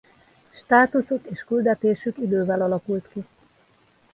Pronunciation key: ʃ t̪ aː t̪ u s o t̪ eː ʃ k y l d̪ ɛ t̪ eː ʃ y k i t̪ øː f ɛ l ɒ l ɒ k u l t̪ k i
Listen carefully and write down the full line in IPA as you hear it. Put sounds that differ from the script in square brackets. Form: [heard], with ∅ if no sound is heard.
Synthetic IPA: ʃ t̪ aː t̪ u s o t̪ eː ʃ k y l d̪ ɛ t̪ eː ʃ y k i [d̪] øː [v] ɛ l ɒ l ɒ k u l t̪ k i